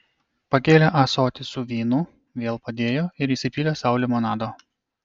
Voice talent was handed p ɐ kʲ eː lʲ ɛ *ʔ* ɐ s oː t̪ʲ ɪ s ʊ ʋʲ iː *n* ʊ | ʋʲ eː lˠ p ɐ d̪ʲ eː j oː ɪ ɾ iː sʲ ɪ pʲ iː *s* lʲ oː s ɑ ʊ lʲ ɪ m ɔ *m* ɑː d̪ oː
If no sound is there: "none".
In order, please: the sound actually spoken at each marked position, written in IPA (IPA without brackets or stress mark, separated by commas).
ʔ, n, none, n